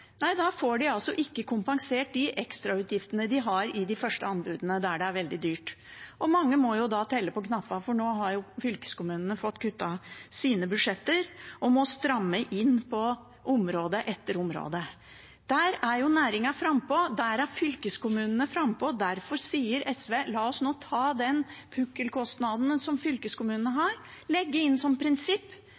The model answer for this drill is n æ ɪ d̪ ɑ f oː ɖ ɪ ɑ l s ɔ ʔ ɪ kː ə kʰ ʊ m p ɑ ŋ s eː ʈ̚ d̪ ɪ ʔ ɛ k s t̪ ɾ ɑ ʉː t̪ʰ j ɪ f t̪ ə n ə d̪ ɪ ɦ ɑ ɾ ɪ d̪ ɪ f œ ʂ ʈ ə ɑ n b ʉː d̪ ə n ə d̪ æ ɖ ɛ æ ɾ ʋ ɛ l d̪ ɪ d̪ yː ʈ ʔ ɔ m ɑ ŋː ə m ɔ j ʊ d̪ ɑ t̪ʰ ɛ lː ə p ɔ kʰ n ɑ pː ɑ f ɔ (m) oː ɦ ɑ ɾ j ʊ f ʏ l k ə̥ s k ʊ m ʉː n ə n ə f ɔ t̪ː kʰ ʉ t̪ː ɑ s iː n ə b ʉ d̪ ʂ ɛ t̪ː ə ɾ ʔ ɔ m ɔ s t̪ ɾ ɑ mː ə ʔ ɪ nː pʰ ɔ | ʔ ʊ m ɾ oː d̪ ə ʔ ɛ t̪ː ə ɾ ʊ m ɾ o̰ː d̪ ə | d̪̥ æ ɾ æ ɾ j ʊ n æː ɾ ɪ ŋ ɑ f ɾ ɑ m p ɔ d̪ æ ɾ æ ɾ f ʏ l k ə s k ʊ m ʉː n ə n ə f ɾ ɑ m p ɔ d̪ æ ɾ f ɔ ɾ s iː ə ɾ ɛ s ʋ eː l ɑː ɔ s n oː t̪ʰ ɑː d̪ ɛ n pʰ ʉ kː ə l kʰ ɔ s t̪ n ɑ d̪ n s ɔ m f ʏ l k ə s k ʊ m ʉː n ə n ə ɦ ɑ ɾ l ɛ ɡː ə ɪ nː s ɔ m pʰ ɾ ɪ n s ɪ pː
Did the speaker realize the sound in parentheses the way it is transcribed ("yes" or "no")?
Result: no